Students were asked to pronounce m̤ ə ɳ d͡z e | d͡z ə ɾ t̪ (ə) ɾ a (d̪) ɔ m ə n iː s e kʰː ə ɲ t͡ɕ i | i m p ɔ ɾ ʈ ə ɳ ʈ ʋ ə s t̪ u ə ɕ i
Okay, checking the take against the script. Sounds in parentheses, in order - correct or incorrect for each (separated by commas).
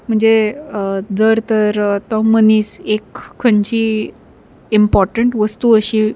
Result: correct, incorrect